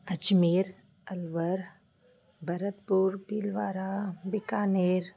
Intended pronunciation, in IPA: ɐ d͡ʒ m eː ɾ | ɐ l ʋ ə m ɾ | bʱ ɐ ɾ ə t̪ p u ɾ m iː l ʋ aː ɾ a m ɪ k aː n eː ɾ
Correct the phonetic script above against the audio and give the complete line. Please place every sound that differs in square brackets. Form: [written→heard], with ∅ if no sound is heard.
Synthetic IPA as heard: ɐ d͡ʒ m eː ɾ | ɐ l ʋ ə [m→∅] ɾ | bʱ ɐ ɾ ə t̪ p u ɾ [m→b] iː l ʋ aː ɾ a [m→b] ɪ k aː n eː ɾ